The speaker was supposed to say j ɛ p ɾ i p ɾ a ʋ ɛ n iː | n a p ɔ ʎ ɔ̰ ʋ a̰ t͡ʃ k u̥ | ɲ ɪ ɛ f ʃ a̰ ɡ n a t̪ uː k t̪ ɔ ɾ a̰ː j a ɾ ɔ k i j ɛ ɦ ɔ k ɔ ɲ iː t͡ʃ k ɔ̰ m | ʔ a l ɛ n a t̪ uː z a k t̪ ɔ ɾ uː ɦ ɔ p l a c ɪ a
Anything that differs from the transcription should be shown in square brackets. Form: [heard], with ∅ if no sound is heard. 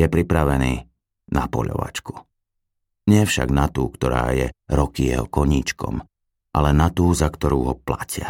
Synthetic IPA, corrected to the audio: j ɛ p ɾ i p ɾ a ʋ ɛ n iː | n a p ɔ ʎ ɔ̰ ʋ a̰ t͡ʃ k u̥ | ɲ ɪ ɛ f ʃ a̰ ɡ n a t̪ uː k t̪ ɔ ɾ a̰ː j [ɛ] ɾ ɔ k i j ɛ ɦ ɔ k ɔ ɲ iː t͡ʃ k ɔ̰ m | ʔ a l ɛ n a t̪ uː z a k t̪ ɔ ɾ uː ɦ ɔ p l a c ɪ a